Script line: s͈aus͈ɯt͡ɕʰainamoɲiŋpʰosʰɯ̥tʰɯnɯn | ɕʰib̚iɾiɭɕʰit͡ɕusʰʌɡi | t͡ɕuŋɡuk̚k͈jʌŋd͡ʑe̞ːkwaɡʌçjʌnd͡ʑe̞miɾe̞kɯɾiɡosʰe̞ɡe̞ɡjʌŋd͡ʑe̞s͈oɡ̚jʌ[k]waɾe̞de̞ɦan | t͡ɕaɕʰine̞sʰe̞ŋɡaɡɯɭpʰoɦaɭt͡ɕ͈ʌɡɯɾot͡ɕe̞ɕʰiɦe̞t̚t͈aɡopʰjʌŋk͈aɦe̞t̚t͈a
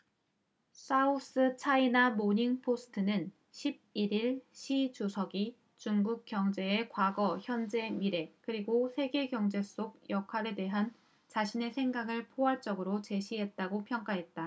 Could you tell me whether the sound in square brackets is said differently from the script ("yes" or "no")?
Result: yes